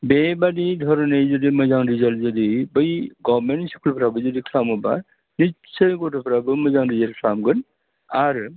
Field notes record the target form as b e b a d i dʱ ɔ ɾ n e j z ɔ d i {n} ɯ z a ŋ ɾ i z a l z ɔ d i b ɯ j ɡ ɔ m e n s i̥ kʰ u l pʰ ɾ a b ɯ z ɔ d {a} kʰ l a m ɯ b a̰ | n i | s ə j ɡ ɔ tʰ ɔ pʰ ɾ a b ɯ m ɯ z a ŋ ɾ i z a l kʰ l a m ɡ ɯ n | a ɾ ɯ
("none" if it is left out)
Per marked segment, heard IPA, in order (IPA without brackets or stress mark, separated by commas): m, i